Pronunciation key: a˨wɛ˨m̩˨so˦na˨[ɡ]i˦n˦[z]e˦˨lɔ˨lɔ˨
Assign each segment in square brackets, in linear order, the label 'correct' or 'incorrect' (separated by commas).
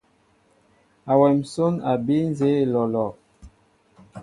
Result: incorrect, correct